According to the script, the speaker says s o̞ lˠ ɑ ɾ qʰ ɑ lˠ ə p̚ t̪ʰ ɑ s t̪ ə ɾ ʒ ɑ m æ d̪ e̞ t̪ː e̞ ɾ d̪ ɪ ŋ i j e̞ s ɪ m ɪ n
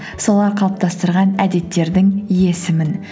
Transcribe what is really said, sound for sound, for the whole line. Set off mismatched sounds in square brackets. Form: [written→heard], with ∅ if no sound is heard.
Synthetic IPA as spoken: s o̞ lˠ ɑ ɾ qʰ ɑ lˠ ə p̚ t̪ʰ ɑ s t̪ ə ɾ [ʒ→ʁ] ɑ [m→n] æ d̪ e̞ t̪ː e̞ ɾ d̪ ɪ ŋ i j e̞ s ɪ m ɪ n